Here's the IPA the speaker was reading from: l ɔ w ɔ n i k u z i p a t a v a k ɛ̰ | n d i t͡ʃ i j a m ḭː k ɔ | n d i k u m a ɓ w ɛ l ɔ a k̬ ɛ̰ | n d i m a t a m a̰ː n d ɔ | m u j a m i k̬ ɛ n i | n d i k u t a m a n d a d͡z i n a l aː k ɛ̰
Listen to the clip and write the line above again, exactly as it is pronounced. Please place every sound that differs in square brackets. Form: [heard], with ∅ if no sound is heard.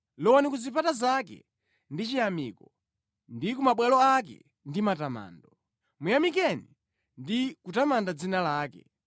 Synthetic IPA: l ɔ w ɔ n i k u z i p a t a [z] a k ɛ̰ | n d i t͡ʃ i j a m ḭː k ɔ | n d i k u m a ɓ w ɛ l ɔ a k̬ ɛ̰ | n d i m a t a m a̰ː n d ɔ | m u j a m i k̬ ɛ n i | n d i k u t a m a n d a d͡z i n a l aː k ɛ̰

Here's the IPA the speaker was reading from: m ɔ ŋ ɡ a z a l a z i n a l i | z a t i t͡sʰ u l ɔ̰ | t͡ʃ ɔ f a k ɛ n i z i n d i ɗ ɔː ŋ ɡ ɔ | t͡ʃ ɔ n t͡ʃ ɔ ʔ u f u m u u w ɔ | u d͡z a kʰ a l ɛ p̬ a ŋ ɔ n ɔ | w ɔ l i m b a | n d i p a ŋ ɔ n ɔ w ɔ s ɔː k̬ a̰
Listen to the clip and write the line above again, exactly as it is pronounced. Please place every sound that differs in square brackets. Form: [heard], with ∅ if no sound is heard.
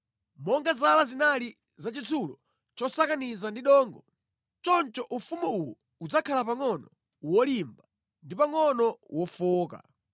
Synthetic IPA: m ɔ ŋ ɡ a z a l a z i n a l i | z a [t͡ʃ] i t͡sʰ u l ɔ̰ | t͡ʃ ɔ [s] a k [a] n i z [a] n d i ɗ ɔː ŋ ɡ ɔ | t͡ʃ ɔ n t͡ʃ ɔ ʔ u f u m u u w ɔ | u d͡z a kʰ a l [a] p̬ a ŋ ɔ n ɔ | w ɔ l i m b a | n d i p a ŋ ɔ n ɔ w ɔ [f] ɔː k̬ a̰

